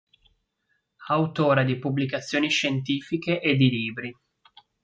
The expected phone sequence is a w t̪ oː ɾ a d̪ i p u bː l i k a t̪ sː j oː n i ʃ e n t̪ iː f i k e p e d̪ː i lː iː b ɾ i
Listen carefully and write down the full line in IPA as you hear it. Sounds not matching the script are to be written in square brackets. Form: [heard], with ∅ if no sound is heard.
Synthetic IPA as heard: a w t̪ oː ɾ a d̪ i p u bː l i k a t̪ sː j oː n i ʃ e n t̪ iː f i k e [ʔ] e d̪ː i [l] iː b ɾ i